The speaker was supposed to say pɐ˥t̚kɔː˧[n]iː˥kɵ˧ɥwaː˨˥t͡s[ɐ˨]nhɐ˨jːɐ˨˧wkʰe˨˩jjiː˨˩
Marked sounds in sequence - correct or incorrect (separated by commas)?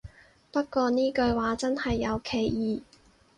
correct, incorrect